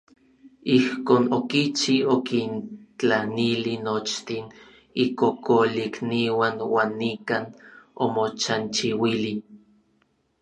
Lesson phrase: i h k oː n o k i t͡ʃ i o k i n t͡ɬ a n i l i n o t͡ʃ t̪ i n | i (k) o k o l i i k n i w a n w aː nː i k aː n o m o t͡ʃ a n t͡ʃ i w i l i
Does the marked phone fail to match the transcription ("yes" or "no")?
no